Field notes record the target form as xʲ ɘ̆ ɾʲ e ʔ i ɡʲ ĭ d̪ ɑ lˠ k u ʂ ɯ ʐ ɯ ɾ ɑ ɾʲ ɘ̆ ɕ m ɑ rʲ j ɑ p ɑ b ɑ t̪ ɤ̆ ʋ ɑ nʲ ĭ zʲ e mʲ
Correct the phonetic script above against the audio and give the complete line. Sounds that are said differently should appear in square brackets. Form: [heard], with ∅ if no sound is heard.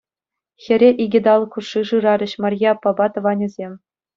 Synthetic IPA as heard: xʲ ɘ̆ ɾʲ e ʔ i ɡʲ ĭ d̪ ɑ lˠ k u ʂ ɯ ʐ ɯ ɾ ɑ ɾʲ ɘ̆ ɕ m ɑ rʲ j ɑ p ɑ b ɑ t̪ ɤ̆ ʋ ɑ nʲ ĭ zʲ e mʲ